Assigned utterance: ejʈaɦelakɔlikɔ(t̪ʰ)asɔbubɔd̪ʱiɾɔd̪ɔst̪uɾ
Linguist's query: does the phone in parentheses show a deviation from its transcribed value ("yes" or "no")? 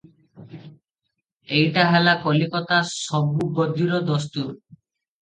yes